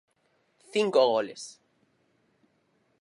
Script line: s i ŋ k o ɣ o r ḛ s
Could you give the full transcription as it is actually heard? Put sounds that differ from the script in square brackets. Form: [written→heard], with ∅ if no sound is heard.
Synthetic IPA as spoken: [s→θ] i ŋ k o ɣ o [r→l] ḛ s

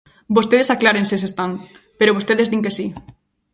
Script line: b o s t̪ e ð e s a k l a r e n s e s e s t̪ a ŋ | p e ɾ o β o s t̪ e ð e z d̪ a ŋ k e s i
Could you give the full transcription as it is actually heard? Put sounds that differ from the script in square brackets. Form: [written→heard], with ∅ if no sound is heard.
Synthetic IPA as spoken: b o s t̪ e ð e s a k l a [r→ɾ] e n s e s e s t̪ a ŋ | p e ɾ o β o s t̪ e ð e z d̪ [a→i] ŋ k e s i

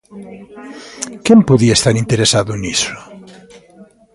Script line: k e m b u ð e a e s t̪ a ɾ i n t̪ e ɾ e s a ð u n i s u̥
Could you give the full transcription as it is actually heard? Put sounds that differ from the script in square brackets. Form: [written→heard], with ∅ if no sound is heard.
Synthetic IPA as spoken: k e m [b→p] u ð [e→i] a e s t̪ a ɾ i n t̪ e ɾ e s a ð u n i s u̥

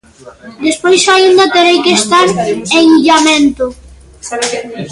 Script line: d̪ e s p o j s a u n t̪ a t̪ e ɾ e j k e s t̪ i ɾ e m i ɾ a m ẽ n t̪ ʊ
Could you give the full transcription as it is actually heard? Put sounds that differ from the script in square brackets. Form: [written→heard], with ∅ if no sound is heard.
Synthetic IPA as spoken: d̪ e s p o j s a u n [t̪→d̪] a t̪ e ɾ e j k e s t̪ [i→a] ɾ e [m→ŋ] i [ɾ→ʎ] a m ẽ n t̪ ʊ

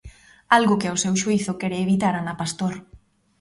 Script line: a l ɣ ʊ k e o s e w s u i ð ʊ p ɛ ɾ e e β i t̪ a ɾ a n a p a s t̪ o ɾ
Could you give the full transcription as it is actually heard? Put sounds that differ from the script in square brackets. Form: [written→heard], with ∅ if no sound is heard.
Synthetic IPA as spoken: a l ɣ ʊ k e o s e w [s→ʃ] u i [ð→θ] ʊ [p→k] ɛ ɾ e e β i t̪ a ɾ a n a p a s t̪ o ɾ

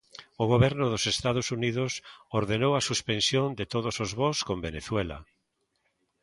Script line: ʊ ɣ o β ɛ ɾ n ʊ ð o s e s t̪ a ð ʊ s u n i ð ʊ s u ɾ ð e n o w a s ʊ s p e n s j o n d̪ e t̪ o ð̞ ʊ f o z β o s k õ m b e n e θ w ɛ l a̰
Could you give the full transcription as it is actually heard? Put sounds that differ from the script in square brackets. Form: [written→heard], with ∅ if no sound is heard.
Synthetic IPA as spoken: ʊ ɣ o β ɛ ɾ n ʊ ð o s e s t̪ a ð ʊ s u n i ð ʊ s [u→o] ɾ ð e n o w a s [ʊ→u] s p e n s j o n d̪ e t̪ o ð̞ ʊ [f→s] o z β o s k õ m b e n e θ w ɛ l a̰

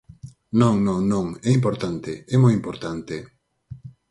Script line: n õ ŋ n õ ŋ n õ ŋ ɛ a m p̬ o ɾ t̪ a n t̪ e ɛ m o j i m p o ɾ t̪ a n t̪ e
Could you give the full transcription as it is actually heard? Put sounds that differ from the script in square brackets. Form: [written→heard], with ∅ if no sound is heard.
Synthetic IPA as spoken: n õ ŋ n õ ŋ n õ ŋ ɛ [a→i] m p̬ o ɾ t̪ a n t̪ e ɛ m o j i m p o ɾ t̪ a n t̪ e

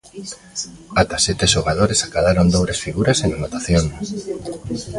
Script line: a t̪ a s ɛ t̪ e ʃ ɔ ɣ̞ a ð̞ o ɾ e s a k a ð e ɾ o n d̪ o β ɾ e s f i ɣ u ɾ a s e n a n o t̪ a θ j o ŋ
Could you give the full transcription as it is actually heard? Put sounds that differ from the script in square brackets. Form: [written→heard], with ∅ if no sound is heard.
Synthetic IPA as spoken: a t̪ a s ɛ t̪ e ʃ [ɔ→o] ɣ̞ a ð̞ o ɾ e s a k a ð [e→a] ɾ o n d̪ o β ɾ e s f i ɣ u ɾ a s e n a n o t̪ a θ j o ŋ

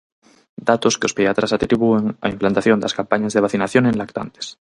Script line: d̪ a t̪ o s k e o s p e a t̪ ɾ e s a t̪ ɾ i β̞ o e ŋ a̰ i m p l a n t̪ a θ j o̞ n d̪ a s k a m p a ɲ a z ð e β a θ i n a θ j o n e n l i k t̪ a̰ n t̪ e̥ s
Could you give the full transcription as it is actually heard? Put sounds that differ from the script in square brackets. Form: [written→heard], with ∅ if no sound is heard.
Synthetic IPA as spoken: d̪ a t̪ o s k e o s p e a t̪ ɾ [e→a] s a t̪ ɾ i β̞ [o→u] e ŋ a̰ i m p l a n t̪ a θ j o̞ n d̪ a s k a m p a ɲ a z ð e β a θ i n a θ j o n e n l [i→a] k t̪ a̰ n t̪ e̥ s

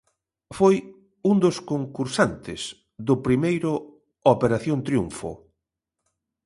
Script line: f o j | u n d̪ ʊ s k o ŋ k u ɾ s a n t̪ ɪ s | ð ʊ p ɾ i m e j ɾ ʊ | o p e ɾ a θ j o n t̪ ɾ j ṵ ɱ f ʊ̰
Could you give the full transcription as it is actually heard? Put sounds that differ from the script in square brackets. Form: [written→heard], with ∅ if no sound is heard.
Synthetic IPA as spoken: f o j | u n d̪ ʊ s k o ŋ k u ɾ s a n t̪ ɪ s | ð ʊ p ɾ i m e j ɾ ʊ | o p e ɾ a θ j o n t̪ ɾ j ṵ ɱ f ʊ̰

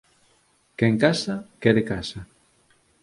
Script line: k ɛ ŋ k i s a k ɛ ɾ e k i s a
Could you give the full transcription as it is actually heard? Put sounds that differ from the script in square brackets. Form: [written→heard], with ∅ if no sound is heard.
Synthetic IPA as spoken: k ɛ ŋ k [i→a] s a k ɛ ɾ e k [i→a] s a

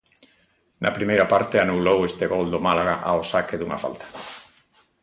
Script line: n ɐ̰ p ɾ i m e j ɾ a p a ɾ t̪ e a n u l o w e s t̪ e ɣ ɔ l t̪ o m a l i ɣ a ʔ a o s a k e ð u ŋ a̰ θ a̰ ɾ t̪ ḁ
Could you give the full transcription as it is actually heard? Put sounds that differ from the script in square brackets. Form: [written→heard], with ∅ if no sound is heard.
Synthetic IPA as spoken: n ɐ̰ p ɾ i m e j ɾ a p a ɾ t̪ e a n u l o w e s t̪ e ɣ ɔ l [t̪→d̪] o m a l [i→a] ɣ a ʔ a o s a k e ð u ŋ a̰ [θ→f] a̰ [ɾ→l] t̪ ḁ

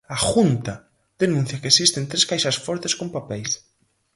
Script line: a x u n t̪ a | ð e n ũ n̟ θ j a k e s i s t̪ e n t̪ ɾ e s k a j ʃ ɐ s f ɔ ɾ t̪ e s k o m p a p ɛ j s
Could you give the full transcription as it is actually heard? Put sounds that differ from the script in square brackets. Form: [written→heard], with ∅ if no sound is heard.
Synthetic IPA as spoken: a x u n t̪ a | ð e n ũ n̟ θ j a k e s i s t̪ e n t̪ ɾ e s k a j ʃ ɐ s f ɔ ɾ t̪ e s k o m p a p ɛ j s

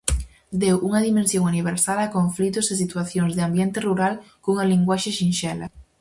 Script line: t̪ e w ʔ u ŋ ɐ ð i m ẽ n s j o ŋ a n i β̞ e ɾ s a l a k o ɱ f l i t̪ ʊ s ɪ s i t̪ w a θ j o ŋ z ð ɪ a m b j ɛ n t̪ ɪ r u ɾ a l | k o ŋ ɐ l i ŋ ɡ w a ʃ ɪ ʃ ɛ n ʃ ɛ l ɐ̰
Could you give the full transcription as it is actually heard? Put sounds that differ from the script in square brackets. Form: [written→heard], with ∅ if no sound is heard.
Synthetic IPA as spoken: [t̪→d̪] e w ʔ u ŋ ɐ ð i m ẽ n s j o ŋ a n i β̞ e ɾ s a l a k o ɱ f l i t̪ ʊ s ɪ s i t̪ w a θ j o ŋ z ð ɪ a m b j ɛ n t̪ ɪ r u ɾ a l | k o ŋ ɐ l i ŋ ɡ w a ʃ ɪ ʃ [ɛ→i] n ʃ ɛ l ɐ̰

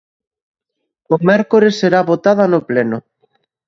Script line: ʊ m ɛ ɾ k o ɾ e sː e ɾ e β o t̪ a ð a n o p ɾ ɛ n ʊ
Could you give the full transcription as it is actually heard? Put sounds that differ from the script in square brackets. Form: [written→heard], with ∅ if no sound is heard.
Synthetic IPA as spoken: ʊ m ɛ ɾ k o ɾ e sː e ɾ [e→a] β o t̪ a ð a n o p [ɾ→l] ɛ n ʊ

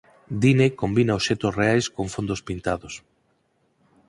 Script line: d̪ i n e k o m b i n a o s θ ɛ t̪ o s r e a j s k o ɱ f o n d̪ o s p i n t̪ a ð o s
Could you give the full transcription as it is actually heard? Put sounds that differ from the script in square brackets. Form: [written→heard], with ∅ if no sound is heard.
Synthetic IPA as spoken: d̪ i n e k o m b i n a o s [θ→ʃ] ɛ t̪ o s r e a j s k o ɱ f o n d̪ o s p i n t̪ a ð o s

